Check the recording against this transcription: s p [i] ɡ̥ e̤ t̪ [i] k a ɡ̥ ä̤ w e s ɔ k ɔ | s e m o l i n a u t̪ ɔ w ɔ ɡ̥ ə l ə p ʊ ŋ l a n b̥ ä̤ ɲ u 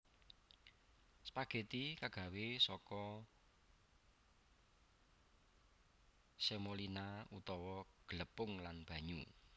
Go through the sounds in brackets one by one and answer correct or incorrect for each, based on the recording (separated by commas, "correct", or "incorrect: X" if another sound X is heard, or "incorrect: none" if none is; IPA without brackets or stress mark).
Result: incorrect: a, correct